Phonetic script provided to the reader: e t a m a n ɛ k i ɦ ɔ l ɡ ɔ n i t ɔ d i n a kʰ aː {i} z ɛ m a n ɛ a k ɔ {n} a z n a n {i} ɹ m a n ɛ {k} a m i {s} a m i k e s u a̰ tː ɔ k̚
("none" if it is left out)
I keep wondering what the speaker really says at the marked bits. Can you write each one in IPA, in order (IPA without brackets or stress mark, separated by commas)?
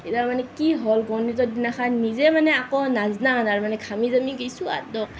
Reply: i, n, a, kʰ, z